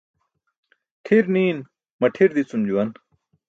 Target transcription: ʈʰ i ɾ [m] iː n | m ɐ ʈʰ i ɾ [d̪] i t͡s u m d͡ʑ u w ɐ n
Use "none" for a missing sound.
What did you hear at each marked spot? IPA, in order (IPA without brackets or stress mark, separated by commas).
n, d̪